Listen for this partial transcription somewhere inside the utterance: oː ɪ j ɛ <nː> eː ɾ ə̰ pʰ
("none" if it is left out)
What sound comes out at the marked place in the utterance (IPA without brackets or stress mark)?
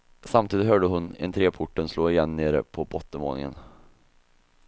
nː